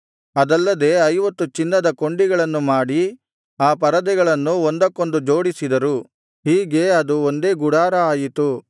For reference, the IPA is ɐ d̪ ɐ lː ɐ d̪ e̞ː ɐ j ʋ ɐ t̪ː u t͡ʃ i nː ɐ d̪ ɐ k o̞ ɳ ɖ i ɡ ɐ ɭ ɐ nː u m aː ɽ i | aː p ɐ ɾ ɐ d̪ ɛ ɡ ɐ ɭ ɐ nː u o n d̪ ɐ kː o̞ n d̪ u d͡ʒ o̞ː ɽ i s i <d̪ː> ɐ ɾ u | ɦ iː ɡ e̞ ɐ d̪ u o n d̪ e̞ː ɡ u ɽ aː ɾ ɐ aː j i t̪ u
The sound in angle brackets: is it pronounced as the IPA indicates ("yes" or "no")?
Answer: no